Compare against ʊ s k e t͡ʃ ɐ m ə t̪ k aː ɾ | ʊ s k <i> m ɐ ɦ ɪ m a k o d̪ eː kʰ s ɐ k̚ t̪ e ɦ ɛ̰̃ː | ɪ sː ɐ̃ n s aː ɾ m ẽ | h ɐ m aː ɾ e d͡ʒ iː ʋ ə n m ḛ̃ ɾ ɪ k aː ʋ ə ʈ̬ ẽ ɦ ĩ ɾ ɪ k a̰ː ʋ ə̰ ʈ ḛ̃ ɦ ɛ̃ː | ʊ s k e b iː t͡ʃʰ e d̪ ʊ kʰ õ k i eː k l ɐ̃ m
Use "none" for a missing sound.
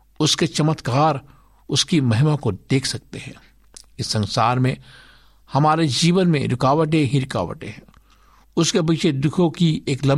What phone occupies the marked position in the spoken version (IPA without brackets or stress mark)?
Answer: i